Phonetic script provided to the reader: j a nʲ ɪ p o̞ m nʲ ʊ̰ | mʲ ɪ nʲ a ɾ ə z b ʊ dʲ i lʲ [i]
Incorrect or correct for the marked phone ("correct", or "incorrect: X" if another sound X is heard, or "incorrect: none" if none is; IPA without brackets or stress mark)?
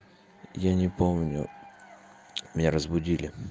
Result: incorrect: ɪ